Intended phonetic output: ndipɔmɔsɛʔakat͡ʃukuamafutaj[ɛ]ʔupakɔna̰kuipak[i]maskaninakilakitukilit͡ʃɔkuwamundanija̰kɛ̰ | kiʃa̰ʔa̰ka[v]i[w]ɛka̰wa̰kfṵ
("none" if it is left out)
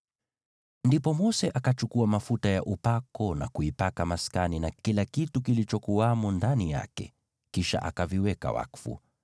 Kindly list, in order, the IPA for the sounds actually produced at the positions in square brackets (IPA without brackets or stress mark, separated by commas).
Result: a, a, v, w